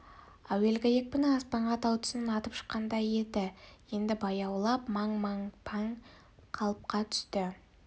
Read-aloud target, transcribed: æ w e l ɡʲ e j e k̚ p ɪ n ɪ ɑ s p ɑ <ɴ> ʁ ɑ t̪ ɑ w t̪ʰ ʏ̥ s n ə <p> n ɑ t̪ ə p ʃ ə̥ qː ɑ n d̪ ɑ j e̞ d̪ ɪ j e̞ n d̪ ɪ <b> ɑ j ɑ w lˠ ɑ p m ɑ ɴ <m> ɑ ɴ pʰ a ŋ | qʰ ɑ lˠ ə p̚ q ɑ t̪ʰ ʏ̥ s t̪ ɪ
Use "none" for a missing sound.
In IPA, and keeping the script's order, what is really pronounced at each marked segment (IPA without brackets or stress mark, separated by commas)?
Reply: ɴ, none, b, m